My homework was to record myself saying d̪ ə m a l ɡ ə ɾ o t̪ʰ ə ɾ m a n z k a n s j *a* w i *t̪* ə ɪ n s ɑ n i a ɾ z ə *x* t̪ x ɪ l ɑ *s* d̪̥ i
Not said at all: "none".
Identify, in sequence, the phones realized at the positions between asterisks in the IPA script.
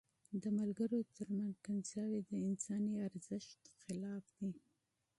ɑ, d̪, ʃ, f

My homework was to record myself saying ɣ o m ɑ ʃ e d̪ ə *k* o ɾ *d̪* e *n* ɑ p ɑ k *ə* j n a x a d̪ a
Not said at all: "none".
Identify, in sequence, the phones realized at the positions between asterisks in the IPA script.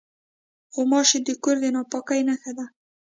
k, d̪, n, a

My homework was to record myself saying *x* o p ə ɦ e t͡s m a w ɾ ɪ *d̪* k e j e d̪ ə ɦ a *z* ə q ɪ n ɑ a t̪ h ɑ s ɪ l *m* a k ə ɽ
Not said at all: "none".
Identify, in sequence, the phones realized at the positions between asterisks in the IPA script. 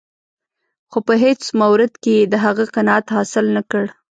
x, d̪, ɣ, n

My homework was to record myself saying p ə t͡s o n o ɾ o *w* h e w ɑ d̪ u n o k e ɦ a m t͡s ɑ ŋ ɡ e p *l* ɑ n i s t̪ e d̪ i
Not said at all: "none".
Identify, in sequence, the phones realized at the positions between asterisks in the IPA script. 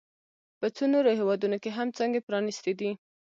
none, ɾ

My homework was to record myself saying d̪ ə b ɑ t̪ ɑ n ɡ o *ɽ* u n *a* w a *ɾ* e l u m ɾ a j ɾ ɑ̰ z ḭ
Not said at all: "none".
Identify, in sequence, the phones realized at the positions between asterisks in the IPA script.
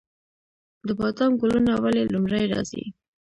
l, a, l

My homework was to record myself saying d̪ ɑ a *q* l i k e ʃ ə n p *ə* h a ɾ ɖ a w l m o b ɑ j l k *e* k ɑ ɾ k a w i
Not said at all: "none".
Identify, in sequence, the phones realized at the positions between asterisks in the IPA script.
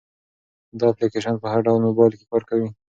p, ə, e

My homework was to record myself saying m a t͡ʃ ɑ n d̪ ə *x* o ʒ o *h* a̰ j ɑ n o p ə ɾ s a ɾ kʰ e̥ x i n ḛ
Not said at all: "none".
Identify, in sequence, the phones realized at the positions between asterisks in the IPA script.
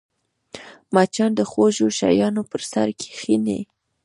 x, ʃ

